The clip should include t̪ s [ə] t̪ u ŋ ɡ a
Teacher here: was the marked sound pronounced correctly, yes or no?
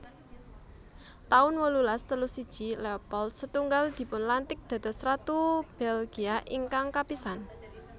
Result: yes